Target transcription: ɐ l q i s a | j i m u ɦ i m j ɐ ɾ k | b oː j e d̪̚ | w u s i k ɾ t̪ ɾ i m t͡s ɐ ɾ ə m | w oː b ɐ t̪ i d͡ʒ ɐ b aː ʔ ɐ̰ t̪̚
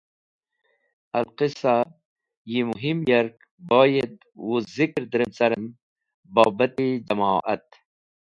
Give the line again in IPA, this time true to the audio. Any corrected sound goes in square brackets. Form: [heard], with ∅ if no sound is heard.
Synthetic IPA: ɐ l q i s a | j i m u ɦ i m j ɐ ɾ k | b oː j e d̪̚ | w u [z] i k ɾ [d̪] ɾ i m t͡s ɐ ɾ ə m | [b] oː b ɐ t̪ i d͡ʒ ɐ [m] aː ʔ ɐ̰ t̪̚